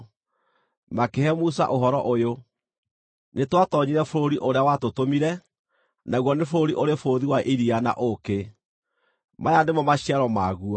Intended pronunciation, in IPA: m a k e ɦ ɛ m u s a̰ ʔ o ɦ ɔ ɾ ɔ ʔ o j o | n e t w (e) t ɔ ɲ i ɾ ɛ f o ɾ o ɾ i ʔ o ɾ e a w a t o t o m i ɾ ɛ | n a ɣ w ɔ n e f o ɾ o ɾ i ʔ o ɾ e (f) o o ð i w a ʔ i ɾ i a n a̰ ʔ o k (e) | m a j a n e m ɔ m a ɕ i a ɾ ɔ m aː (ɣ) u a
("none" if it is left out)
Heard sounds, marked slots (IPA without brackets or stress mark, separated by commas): a, f, e, ɣ